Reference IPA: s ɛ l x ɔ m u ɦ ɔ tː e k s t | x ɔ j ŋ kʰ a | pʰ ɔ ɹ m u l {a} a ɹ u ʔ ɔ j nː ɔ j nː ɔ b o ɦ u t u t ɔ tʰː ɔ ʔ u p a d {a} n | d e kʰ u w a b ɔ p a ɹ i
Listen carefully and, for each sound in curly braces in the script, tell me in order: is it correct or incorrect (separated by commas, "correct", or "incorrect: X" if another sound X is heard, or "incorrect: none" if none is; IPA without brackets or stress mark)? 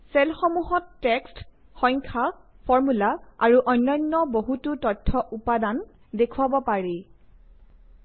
correct, correct